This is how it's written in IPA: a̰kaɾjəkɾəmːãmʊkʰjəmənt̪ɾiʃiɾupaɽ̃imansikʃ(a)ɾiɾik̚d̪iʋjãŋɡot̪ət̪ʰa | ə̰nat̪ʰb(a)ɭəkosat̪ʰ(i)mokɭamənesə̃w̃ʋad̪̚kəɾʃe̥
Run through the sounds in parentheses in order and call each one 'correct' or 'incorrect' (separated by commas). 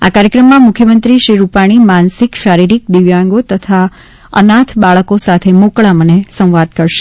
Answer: correct, correct, incorrect